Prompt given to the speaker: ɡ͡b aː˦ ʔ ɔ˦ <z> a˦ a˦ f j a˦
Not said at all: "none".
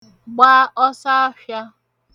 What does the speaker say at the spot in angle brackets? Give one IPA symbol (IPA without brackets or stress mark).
s